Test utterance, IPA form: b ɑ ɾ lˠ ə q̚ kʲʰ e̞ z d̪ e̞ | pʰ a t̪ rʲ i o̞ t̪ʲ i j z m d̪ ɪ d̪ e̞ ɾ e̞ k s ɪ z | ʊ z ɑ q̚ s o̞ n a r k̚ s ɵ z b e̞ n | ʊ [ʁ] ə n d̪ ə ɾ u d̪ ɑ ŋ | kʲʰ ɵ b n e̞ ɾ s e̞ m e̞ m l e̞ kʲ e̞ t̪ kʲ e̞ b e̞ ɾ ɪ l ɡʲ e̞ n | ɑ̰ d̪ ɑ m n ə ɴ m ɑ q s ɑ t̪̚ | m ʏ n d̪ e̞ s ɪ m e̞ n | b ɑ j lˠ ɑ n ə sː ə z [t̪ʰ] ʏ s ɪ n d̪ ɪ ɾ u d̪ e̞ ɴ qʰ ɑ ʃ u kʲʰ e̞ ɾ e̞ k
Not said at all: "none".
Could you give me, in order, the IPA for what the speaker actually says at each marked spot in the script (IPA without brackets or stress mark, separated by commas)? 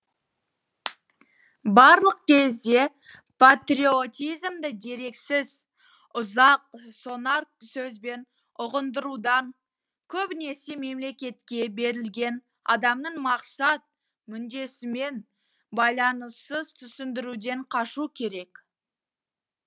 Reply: ʁ, t̪ʰ